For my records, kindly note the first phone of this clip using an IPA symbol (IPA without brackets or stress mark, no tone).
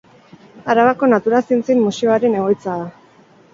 a